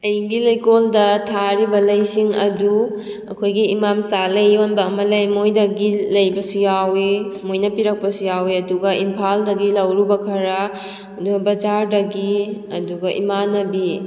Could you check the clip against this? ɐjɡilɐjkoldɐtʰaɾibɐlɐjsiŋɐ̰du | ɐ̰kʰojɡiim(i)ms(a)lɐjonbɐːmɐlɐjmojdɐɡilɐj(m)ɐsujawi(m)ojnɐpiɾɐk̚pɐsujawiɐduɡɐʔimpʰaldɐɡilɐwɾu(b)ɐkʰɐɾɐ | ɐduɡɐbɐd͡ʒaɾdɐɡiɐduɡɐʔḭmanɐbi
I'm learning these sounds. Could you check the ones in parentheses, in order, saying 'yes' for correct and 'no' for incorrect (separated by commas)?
no, yes, no, yes, yes